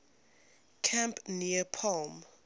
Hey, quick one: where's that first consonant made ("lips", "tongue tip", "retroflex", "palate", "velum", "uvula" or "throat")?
velum